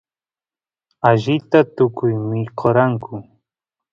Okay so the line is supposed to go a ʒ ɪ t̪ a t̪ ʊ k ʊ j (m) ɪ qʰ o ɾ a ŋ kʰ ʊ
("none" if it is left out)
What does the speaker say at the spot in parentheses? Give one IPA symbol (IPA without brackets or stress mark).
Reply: m